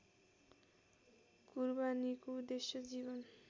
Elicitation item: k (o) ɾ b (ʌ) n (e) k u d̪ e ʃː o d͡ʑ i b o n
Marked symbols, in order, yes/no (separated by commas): no, no, no